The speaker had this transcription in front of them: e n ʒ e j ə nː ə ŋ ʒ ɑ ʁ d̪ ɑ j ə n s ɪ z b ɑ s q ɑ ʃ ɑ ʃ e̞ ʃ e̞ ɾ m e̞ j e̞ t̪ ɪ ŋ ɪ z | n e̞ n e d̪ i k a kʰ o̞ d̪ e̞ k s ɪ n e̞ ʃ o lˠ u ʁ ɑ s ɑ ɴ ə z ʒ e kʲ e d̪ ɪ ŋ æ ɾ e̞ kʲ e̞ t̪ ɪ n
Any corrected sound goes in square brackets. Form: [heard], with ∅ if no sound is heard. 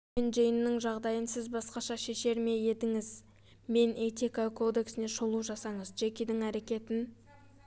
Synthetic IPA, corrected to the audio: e n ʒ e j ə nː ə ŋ ʒ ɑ ʁ d̪ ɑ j ə n s ɪ z b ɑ s q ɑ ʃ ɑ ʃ e̞ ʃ e̞ ɾ m e̞ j e̞ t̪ ɪ ŋ ɪ z | [m] e̞ n e [t̪] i k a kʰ o̞ d̪ e̞ k s ɪ n e̞ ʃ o lˠ u [ʒ] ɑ s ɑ ɴ ə z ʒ e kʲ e d̪ ɪ ŋ æ ɾ e̞ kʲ e̞ t̪ ɪ n